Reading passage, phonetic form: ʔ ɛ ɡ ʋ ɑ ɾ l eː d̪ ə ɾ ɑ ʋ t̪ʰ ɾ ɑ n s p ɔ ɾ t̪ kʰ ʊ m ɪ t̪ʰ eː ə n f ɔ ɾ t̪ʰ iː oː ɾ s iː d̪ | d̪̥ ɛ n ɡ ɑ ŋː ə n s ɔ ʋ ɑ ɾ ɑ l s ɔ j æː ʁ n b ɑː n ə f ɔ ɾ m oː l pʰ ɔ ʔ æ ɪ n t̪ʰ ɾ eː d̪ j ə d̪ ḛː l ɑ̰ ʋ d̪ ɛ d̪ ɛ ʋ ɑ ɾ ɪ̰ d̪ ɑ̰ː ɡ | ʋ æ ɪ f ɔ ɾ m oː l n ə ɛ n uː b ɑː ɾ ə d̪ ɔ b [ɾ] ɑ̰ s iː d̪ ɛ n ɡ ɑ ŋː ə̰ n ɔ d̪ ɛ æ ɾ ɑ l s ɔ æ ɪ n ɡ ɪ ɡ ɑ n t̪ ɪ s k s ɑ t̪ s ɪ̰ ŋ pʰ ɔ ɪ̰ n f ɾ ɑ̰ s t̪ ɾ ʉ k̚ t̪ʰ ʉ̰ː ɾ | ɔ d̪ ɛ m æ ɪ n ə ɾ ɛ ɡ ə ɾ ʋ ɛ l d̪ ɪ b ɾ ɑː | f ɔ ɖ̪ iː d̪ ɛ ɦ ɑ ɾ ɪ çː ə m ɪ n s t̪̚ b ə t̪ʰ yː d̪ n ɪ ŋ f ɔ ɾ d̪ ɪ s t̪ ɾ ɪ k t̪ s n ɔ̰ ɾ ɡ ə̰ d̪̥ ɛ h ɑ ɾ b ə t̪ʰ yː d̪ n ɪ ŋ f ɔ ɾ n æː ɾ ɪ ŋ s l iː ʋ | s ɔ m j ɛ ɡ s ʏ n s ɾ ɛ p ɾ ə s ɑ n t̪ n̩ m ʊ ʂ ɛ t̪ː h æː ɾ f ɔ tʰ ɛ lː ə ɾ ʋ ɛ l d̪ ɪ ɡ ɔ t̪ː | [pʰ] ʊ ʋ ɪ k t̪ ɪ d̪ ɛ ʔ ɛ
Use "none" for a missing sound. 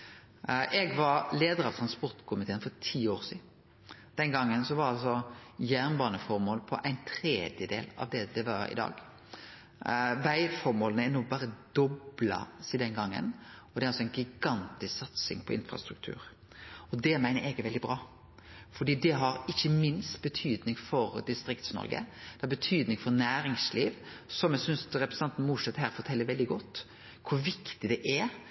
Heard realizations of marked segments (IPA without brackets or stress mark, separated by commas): l, kʰ